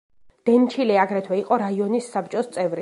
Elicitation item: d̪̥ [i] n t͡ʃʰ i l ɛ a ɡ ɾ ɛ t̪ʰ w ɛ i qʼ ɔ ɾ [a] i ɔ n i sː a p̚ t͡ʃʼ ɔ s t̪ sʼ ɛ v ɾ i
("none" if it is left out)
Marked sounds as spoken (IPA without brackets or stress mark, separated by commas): ɛ, a